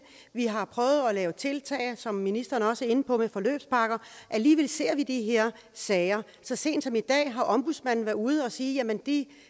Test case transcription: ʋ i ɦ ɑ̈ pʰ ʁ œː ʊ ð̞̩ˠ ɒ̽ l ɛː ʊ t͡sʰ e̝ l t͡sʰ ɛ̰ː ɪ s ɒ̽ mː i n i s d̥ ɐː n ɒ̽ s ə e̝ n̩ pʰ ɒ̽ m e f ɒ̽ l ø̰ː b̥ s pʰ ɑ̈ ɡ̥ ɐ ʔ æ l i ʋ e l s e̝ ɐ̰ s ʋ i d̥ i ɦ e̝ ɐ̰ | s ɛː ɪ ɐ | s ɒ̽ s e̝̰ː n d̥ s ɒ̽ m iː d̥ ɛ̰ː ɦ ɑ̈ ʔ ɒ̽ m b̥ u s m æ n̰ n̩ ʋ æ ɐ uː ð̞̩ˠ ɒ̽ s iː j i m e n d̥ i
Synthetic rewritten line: ʋ i ɦ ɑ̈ pʰ ʁ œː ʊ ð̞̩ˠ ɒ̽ l ɛː ʊ t͡sʰ e̝ l t͡sʰ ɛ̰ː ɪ s ɒ̽ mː i n i s d̥ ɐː n ɒ̽ s ə e̝ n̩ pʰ ɒ̽ m e f ɒ̽ l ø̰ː b̥ s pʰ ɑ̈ ɡ̥ ɐ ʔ æ l iː ʋ e l s e̝ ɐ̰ ʋ i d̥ i ɦ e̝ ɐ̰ | s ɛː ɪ ɐ | s ɒ̽ s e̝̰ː n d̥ s ɒ̽ m i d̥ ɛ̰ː ɦ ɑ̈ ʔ ɒ̽ m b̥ u s m æ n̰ n̩ ʋ æ ɐ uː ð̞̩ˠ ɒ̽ s iː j æ m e n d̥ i